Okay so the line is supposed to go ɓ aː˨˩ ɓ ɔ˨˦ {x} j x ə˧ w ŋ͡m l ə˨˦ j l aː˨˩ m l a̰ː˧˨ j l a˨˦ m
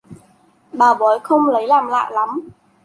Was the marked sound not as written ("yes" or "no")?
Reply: yes